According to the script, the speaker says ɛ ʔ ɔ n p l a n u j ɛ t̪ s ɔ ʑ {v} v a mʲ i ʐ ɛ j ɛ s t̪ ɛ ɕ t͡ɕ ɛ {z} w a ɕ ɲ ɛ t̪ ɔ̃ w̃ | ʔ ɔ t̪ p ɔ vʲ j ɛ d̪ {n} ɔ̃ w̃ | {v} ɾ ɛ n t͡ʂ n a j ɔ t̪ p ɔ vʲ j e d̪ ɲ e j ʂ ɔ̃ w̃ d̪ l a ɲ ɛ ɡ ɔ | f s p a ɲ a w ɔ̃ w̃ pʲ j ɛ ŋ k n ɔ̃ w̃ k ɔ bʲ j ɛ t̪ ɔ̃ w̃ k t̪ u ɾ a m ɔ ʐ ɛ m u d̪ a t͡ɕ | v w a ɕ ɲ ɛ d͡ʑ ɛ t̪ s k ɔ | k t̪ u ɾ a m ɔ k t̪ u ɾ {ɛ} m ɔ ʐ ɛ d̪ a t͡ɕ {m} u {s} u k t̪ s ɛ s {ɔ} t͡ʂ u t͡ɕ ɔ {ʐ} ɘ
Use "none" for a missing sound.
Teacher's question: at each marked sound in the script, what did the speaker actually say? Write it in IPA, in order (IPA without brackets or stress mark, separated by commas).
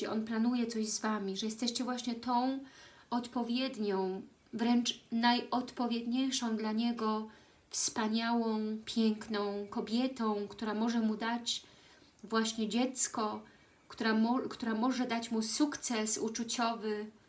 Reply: z, v, ɲ, v, a, m, s, u, v